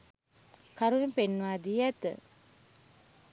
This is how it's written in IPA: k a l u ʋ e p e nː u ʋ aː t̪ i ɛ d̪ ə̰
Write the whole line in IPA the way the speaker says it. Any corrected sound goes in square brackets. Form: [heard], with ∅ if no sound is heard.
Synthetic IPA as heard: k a [ɾ] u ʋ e p e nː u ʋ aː [d̪] i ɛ [t̪] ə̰